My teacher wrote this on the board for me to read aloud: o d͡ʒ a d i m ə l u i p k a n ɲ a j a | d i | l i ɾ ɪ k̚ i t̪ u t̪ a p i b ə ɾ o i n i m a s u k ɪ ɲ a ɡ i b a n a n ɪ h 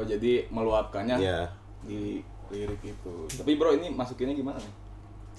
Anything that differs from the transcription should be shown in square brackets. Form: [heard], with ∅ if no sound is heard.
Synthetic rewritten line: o d͡ʒ a d i m ə l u [a] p k a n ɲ a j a | d i | l i ɾ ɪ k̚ i t̪ u t̪ a p i b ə ɾ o i n i m a s u k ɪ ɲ a ɡ i [m] a n a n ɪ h